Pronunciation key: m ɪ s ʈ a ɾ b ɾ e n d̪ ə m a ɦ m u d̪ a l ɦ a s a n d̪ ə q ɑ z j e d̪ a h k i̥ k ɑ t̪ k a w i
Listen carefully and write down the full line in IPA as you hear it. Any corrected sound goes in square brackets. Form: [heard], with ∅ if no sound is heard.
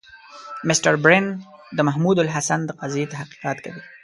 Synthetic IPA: m ɪ s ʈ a ɾ b ɾ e n d̪ ə m a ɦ m u d̪ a l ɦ a s a n d̪ ə q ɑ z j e [t̪] a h [q] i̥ [q] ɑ t̪ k a w i